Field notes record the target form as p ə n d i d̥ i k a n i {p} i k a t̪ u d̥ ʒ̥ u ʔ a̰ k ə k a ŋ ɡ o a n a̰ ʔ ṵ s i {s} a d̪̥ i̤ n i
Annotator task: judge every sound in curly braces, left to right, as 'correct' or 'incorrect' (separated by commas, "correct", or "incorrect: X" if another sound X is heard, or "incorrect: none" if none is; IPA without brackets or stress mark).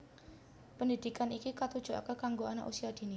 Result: incorrect: k, incorrect: none